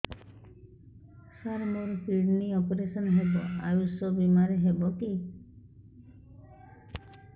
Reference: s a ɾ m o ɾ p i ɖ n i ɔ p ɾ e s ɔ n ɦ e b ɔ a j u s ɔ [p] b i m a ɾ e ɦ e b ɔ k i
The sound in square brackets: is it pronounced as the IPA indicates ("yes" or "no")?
no